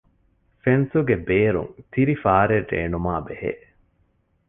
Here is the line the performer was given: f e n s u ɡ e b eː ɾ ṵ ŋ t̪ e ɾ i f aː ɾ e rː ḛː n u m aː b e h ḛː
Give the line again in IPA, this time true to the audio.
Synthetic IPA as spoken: f e n s u ɡ e b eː ɾ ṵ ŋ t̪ i ɾ i f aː ɾ e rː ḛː n u m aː b e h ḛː